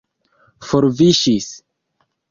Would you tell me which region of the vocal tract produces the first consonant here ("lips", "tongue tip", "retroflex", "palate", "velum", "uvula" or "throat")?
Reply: lips